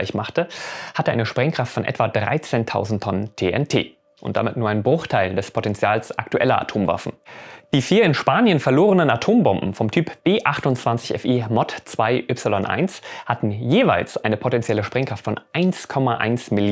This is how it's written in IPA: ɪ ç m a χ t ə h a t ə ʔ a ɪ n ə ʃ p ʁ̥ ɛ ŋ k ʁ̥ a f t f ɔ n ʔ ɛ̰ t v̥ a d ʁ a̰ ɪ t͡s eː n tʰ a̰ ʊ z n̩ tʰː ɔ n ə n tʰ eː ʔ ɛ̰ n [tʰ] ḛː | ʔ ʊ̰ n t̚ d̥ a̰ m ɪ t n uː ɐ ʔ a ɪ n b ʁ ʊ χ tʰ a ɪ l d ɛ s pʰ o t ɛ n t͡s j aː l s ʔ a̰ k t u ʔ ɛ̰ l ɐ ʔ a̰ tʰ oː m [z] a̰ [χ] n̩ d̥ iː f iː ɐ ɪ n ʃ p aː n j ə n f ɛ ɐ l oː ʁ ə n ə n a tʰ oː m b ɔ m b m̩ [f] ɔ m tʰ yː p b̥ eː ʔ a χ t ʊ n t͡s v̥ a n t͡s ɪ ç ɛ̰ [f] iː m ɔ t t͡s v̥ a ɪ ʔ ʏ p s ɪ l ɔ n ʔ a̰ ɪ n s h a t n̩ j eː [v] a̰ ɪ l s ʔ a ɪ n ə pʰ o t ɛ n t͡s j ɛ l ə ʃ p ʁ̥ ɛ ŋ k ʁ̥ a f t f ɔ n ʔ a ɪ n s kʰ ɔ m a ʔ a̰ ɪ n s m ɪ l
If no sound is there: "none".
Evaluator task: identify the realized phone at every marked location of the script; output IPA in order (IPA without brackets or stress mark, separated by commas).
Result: tʰ, v, f, f, f, v